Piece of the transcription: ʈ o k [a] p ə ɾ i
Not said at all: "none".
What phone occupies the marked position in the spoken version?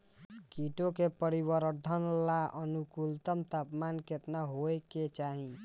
e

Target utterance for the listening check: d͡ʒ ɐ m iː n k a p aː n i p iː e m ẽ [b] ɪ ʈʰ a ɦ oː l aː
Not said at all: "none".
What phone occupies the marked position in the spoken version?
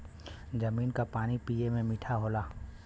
m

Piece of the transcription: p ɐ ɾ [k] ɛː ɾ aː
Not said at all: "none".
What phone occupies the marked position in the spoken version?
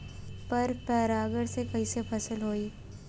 p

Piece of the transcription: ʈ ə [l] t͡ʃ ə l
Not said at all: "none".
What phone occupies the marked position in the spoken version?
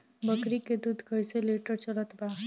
ɾ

